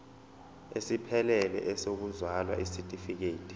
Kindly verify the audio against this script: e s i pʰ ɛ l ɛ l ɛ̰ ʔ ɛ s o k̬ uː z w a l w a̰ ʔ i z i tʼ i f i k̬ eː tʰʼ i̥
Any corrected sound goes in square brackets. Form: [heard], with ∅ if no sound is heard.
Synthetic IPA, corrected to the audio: e s i pʰ ɛ l ɛ l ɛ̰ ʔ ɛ s o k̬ [u] z w a l w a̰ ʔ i [s] i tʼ i f i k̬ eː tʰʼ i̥